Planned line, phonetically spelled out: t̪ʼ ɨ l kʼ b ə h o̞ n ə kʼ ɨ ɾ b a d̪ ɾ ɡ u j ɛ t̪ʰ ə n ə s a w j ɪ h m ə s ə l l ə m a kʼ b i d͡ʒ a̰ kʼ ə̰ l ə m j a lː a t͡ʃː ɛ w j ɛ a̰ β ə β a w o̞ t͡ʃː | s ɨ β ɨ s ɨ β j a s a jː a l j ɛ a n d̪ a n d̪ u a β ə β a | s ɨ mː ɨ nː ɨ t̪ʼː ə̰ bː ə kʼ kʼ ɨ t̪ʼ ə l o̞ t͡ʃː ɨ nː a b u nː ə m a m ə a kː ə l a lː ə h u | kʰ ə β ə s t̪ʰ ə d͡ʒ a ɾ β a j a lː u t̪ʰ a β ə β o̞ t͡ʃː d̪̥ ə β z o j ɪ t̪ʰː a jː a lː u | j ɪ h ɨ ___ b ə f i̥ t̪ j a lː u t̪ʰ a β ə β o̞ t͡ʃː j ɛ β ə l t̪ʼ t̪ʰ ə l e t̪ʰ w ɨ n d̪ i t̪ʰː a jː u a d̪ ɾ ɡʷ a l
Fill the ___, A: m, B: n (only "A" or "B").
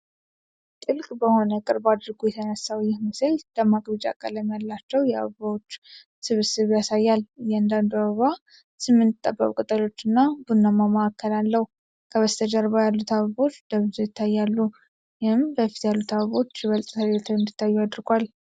A